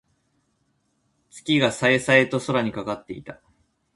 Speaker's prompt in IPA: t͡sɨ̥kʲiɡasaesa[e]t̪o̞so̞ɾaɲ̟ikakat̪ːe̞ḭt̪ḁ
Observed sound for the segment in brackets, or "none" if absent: e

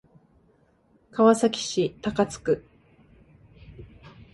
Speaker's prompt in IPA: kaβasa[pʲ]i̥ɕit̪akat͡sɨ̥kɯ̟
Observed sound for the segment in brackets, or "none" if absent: kʲ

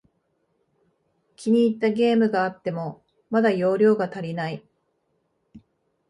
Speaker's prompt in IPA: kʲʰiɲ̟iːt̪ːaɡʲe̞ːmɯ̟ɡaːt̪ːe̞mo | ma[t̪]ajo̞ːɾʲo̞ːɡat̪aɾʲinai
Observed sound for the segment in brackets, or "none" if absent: d̪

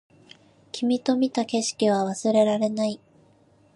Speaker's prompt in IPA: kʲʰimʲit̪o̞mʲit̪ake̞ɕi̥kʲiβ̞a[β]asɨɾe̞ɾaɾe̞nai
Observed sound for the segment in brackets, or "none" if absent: β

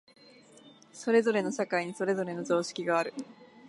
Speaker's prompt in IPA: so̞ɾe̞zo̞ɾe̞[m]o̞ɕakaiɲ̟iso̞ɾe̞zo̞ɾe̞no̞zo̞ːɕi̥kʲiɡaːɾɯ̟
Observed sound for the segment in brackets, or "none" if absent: n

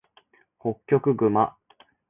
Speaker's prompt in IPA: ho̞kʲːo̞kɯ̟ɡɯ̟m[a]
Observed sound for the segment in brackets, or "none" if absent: a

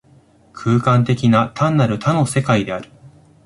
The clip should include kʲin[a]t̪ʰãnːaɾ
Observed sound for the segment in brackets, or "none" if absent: a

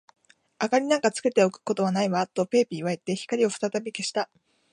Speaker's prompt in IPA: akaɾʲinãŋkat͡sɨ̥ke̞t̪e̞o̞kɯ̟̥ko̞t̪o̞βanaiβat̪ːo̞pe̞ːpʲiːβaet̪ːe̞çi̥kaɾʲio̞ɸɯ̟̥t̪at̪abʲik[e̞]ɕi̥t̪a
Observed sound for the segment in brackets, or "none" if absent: e̞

